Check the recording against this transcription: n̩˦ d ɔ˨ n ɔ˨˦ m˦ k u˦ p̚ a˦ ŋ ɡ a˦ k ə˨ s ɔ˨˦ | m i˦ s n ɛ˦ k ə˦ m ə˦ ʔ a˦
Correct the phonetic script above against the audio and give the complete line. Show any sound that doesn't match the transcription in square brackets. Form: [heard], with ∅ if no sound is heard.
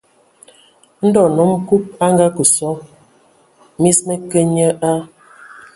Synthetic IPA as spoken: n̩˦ d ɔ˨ n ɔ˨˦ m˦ k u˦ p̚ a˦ ŋ ɡ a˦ k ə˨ s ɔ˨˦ | m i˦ s [m] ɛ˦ k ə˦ [ɲ] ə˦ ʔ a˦